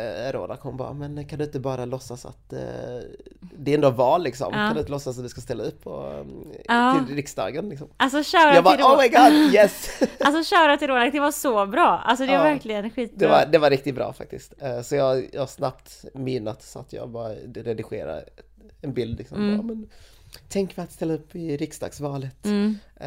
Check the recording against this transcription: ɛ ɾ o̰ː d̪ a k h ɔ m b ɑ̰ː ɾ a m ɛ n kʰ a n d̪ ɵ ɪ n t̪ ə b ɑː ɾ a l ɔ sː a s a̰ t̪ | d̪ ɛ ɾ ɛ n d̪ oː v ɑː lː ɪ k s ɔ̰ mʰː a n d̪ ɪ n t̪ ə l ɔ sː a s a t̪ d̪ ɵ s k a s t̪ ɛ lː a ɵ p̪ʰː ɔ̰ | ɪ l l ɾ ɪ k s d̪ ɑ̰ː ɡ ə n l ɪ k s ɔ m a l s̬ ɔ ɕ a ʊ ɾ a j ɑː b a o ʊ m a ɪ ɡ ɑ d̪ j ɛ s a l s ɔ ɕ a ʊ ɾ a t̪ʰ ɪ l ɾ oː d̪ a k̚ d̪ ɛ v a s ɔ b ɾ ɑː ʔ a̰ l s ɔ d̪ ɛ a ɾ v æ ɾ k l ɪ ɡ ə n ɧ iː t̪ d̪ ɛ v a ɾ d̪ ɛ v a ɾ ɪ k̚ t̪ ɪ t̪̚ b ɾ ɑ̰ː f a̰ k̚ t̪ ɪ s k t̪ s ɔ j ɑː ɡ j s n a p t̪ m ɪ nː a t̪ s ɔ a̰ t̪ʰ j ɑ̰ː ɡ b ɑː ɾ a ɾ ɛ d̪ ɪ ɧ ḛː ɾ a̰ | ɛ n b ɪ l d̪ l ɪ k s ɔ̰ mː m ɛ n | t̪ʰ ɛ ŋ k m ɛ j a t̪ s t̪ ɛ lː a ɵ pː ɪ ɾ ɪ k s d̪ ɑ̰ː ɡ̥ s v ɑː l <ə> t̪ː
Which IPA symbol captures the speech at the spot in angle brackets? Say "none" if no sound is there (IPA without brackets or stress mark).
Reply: ə